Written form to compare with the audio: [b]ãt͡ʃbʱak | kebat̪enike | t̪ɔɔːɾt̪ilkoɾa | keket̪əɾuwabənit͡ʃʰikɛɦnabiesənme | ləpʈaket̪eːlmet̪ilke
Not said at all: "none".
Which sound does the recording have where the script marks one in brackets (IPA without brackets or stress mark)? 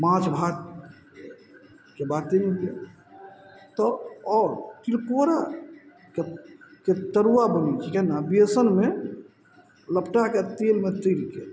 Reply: m